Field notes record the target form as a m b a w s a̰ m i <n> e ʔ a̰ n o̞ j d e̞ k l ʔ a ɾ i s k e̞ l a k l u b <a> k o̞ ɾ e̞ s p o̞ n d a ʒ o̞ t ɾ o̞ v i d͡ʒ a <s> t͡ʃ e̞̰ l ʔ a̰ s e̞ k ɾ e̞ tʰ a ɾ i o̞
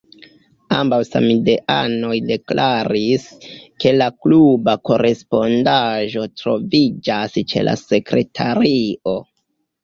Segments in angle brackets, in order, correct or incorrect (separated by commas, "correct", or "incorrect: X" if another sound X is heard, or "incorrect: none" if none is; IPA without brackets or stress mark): incorrect: d, correct, correct